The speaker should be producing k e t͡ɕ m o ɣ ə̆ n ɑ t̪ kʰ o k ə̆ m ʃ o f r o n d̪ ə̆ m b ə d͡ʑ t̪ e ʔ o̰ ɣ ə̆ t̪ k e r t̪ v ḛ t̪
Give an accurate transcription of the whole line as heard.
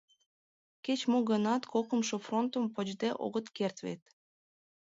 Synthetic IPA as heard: k e t͡ɕ m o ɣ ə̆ n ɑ t̪ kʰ o k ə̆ m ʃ o f r o n t̪ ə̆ m p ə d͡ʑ d̪ e ʔ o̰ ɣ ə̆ t̪ k e r t̪ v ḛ t̪